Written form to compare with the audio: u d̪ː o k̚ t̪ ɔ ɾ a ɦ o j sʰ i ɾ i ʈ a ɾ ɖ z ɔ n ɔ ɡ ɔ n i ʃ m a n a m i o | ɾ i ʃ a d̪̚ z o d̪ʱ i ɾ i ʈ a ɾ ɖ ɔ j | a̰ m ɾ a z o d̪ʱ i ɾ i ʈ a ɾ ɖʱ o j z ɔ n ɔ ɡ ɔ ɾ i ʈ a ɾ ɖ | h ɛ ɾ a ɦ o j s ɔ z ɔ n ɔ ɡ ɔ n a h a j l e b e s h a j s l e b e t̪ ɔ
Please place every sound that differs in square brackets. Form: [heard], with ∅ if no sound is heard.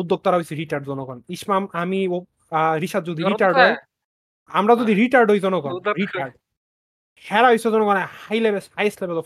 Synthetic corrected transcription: u d̪ː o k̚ t̪ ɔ ɾ a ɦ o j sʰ i ɾ i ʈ a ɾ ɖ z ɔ n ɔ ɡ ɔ n i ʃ m a [m] a m i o | ɾ i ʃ a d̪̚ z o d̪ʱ i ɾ i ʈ a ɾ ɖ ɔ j | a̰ m ɾ a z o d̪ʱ i ɾ i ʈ a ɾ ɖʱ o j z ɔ n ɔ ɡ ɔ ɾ i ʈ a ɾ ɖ | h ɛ ɾ a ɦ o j s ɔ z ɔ n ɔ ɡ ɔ n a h a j l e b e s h a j s l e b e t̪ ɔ